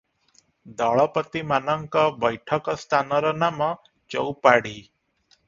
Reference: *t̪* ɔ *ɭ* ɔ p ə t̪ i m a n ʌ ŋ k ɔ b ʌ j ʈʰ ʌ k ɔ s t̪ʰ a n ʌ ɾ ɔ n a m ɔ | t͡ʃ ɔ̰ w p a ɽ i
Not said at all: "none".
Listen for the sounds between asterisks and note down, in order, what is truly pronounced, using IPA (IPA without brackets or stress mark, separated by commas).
d̪, ɭ